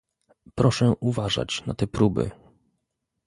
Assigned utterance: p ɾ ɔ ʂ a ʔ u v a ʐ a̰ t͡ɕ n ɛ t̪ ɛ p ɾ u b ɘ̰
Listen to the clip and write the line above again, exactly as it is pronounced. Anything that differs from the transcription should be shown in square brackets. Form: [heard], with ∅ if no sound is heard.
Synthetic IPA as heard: p ɾ ɔ ʂ [ɛ] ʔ u v a ʐ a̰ t͡ɕ n [a] t̪ ɛ p ɾ u b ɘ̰